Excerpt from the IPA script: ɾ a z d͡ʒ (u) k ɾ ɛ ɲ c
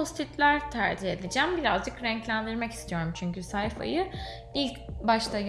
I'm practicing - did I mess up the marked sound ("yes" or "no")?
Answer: yes